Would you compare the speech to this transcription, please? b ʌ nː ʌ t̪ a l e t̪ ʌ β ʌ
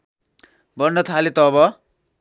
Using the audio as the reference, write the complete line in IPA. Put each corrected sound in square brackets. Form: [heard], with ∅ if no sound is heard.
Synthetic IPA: b ʌ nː ʌ [t̪ʰ] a l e t̪ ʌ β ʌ